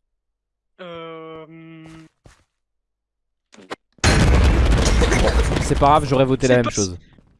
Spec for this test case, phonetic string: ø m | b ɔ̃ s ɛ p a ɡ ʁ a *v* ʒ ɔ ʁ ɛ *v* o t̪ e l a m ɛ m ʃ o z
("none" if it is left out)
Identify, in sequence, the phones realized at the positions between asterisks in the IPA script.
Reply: v, v

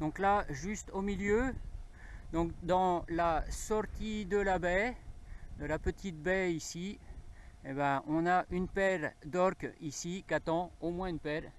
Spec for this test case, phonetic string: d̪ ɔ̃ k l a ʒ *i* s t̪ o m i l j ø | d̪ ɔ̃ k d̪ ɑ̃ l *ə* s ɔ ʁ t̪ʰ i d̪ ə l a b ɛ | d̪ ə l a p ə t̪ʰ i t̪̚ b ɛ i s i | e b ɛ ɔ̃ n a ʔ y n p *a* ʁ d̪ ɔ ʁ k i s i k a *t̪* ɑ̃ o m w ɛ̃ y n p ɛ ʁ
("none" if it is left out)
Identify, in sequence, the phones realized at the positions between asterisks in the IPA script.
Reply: y, a, ɛ, t̪

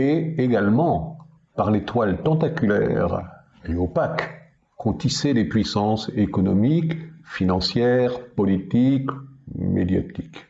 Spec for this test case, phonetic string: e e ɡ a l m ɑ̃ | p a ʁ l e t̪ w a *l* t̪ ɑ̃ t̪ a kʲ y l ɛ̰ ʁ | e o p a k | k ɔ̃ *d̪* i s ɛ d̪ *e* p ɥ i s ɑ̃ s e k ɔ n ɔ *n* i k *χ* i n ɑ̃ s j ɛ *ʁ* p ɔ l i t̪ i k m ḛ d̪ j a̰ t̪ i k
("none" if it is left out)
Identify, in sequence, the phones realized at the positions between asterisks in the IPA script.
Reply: l, t̪, e, m, f, ʁ

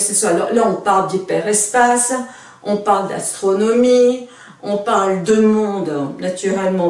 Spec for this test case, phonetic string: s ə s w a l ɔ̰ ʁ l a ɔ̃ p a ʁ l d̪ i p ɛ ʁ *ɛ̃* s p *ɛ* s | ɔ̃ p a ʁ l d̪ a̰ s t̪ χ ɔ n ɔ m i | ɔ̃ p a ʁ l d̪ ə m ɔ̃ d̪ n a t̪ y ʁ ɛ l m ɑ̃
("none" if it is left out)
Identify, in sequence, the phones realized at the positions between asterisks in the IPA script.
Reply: ɛ, a

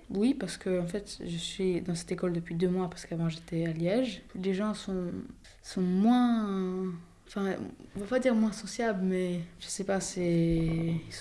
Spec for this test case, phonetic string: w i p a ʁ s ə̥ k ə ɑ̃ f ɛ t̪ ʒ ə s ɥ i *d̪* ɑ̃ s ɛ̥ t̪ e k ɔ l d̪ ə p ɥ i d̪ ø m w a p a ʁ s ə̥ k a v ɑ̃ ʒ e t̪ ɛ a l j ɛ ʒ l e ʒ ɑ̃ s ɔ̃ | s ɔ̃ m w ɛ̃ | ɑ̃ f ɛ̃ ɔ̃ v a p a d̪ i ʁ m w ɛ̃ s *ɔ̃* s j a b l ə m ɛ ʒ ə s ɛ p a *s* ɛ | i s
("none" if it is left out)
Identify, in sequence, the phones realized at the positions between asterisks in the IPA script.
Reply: d̪, ɔ, s

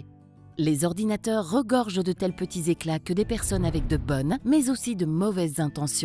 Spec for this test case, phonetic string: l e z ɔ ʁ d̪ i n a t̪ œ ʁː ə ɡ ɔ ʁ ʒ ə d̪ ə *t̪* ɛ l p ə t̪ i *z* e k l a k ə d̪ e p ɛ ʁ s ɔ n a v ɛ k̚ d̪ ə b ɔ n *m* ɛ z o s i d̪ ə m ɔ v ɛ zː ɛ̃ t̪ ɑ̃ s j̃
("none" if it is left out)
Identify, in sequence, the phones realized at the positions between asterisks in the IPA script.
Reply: t̪, z, m

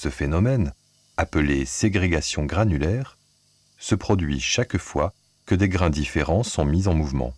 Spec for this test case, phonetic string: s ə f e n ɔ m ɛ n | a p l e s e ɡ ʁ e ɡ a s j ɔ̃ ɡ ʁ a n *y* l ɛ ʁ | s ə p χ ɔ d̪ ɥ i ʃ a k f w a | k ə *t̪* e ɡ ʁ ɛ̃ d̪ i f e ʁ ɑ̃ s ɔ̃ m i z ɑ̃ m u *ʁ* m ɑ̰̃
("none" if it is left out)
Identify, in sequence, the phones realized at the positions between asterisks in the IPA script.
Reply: y, d̪, v

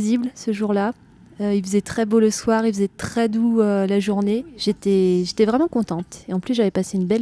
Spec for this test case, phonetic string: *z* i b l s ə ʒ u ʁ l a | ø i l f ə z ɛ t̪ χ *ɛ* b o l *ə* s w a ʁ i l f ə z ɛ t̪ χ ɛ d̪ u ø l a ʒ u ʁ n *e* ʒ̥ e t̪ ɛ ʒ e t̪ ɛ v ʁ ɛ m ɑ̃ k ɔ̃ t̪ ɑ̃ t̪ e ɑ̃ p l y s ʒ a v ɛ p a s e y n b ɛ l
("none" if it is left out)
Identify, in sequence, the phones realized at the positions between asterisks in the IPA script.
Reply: z, ɛ, ə, e

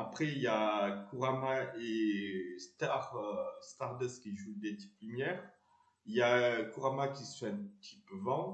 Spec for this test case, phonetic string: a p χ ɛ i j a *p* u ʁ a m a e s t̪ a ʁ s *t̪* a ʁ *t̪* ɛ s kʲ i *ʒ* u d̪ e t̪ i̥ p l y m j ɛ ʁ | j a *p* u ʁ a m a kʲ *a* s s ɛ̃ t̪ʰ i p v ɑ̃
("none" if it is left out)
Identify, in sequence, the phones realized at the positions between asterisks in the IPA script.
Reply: k, t̪, d̪, ʒ, k, i

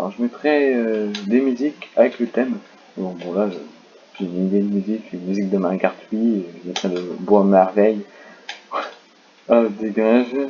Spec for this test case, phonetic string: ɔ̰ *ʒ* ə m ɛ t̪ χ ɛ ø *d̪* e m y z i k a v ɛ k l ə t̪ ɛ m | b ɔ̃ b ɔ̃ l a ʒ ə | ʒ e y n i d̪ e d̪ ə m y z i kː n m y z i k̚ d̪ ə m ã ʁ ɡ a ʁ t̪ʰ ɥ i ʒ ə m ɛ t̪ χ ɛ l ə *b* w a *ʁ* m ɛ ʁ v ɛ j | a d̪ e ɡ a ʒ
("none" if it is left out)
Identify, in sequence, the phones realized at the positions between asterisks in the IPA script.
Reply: ʒ, d̪, b, none

